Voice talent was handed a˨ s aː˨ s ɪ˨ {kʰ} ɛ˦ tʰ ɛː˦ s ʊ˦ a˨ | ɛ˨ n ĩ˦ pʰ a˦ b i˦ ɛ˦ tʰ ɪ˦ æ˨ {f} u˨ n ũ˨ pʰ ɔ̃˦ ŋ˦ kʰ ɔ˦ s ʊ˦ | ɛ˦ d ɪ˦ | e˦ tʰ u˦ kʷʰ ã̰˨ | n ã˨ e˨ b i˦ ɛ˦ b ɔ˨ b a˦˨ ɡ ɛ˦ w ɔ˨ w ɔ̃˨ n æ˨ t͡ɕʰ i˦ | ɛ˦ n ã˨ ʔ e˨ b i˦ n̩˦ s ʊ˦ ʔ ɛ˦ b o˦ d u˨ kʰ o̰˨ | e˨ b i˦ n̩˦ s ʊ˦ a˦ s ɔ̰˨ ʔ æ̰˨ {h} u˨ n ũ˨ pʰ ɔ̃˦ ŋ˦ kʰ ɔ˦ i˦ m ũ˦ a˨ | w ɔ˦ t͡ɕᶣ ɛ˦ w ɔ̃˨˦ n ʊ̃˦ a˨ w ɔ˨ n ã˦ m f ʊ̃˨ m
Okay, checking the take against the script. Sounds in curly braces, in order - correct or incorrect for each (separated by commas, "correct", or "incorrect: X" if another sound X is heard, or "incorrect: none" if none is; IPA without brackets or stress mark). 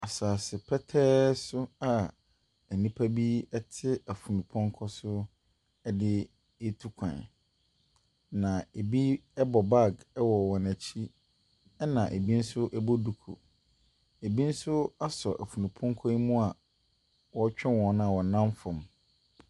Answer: incorrect: pʰ, correct, incorrect: f